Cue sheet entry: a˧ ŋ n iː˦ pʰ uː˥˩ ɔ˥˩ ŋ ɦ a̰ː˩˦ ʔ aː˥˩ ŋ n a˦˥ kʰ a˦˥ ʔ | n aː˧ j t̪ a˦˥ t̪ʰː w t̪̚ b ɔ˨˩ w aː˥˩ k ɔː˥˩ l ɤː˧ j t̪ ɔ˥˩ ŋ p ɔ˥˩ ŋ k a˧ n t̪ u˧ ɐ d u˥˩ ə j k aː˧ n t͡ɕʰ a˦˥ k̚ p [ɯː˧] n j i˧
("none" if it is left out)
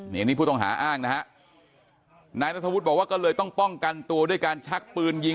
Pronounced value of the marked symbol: ɯː˧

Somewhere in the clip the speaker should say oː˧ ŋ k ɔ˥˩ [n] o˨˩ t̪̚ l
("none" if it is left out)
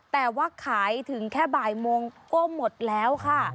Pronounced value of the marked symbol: m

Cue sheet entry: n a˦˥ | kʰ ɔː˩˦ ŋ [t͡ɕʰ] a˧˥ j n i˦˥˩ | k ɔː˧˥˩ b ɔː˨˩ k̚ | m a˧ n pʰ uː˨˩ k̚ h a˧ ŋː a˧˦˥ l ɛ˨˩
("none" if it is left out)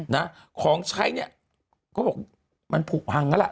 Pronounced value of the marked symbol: t͡ɕʰ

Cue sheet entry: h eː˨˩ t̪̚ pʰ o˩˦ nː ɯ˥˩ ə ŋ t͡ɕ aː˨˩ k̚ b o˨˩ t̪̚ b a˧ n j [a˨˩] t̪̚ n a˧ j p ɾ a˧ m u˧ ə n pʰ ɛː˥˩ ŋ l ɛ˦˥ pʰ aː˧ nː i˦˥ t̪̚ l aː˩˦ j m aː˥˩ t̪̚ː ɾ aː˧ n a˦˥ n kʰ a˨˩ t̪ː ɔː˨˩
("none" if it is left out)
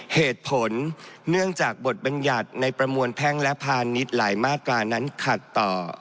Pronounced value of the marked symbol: a˨˩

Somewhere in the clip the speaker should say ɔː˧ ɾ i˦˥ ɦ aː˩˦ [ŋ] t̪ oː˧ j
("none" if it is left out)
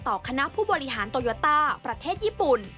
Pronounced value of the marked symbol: n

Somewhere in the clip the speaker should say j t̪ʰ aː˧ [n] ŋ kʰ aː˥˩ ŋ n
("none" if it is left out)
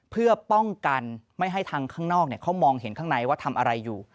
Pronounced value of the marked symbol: none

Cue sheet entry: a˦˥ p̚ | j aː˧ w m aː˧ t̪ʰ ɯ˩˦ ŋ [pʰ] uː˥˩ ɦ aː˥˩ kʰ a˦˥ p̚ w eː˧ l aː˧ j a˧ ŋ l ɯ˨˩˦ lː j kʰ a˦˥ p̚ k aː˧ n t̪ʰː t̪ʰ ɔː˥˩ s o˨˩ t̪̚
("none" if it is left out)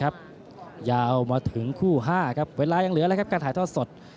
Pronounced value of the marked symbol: kʰ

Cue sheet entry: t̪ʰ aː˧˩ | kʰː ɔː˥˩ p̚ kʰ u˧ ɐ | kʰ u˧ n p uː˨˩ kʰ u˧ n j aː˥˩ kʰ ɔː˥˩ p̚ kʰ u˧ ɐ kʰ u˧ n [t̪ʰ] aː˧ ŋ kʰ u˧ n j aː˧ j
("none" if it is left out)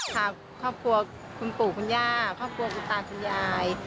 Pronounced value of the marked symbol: t̪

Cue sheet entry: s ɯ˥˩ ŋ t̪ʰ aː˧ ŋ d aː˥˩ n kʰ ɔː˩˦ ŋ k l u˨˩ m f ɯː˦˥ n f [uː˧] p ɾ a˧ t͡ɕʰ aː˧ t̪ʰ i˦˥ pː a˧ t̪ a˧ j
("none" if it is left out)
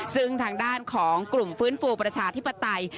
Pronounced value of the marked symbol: uː˧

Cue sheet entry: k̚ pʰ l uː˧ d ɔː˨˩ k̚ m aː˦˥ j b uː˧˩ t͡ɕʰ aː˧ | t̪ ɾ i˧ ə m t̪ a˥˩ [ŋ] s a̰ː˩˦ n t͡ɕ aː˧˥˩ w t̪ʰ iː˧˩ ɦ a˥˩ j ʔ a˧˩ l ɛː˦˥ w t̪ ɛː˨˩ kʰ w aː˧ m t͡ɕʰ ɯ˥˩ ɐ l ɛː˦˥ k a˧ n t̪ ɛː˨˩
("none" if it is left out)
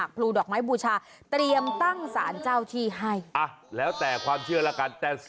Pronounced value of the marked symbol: ŋ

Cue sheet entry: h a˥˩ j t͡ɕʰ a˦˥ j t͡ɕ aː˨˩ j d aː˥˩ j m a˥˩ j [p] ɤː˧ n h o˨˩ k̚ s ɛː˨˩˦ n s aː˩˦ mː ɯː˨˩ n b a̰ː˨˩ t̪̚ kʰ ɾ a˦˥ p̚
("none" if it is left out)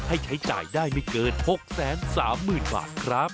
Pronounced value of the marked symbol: k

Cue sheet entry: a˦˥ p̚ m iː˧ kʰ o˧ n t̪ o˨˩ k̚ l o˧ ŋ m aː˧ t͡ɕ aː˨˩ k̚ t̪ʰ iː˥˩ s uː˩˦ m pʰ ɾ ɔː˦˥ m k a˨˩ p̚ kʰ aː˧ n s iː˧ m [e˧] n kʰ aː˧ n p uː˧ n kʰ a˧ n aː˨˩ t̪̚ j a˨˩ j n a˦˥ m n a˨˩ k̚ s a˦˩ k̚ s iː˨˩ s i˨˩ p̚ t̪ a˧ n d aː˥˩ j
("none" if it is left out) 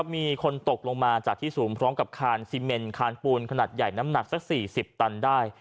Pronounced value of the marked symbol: e˧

